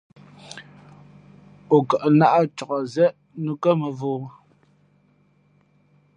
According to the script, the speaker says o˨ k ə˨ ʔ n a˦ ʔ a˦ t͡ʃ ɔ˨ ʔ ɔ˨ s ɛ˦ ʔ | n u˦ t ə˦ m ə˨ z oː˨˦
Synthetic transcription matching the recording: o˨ k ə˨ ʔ n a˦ ʔ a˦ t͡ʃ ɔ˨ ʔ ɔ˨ z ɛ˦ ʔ | n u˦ k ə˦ m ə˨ v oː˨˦